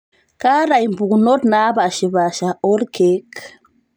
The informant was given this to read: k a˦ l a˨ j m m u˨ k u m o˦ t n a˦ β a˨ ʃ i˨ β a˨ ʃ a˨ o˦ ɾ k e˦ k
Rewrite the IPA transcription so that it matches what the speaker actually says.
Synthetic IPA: k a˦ ɾ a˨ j m b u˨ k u n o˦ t n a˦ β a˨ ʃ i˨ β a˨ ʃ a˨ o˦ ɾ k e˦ k